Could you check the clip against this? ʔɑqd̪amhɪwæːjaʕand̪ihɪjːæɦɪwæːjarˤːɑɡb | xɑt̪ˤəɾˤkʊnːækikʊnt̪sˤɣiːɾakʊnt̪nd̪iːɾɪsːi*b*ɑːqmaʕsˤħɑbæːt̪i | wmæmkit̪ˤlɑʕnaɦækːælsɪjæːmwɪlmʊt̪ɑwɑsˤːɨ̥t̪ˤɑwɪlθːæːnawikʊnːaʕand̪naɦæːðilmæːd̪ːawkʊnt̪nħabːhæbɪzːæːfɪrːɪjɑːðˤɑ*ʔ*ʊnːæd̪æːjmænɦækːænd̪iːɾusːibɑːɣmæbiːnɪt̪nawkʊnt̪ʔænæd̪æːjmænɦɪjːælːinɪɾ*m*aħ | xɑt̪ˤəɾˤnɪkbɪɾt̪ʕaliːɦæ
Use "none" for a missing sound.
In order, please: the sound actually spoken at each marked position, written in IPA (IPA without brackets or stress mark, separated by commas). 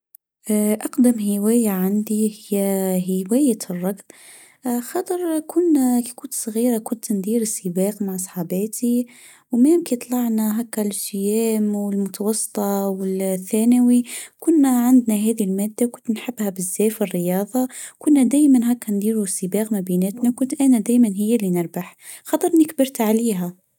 b, k, b